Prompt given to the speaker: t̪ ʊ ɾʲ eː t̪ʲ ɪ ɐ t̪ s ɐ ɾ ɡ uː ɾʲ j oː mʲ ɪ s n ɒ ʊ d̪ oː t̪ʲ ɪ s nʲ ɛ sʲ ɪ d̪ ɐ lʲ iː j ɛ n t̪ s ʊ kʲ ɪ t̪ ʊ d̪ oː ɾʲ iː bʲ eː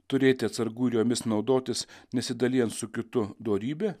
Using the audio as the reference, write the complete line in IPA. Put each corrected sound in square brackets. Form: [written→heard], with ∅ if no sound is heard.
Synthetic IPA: t̪ ʊ ɾʲ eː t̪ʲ ɪ ɐ t̪ s ɐ ɾ ɡ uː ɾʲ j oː mʲ ɪ s n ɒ ʊ d̪ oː t̪ʲ ɪ s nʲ ɛ sʲ ɪ d̪ ɐ lʲ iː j ɛ n t̪ s ʊ kʲ ɪ t̪ ʊ d̪ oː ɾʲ iː bʲ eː